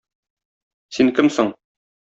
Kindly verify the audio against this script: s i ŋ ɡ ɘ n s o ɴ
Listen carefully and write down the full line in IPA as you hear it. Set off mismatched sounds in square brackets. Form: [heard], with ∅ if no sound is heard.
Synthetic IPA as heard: s i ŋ [k] ɘ [m] s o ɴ